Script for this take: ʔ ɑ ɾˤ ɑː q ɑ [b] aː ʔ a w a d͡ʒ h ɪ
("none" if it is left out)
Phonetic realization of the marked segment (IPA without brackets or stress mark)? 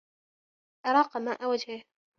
m